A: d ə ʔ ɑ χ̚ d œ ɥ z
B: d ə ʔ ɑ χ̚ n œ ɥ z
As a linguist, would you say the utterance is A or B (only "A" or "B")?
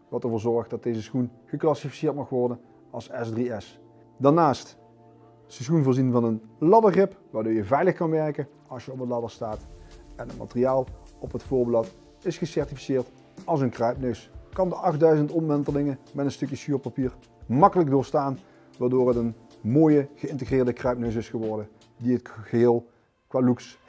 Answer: A